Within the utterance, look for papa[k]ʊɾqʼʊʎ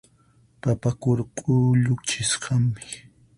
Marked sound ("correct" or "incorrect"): correct